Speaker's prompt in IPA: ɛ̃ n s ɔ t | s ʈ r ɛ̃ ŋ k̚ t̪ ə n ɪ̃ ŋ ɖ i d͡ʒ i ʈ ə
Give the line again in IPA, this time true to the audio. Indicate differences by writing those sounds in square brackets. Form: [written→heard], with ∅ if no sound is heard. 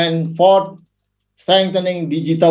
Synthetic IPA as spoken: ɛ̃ n [s→f] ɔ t | s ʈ [r→ɾ] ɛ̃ ŋ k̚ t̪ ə n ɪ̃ ŋ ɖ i d͡ʒ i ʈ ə